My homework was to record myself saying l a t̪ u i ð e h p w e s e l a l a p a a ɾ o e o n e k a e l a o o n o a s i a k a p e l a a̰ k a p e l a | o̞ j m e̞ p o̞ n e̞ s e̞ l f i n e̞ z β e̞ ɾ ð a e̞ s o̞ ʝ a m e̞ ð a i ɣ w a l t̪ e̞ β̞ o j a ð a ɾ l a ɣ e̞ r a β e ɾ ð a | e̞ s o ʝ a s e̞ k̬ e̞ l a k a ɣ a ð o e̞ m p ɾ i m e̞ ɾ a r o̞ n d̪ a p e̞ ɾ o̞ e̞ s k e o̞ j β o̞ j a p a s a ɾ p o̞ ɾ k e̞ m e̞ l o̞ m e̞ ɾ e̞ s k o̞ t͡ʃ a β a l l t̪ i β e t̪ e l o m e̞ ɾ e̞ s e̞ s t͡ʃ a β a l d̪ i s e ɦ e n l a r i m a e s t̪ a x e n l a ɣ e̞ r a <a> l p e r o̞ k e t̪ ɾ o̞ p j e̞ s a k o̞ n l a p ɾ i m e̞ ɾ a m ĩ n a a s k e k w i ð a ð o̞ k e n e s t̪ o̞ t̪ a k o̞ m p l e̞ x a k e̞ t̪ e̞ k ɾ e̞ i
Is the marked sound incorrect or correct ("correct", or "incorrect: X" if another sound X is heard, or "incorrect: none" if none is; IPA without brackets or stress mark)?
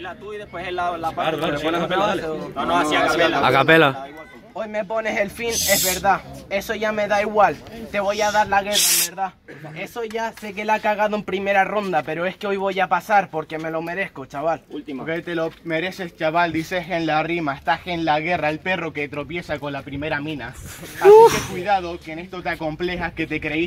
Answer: incorrect: e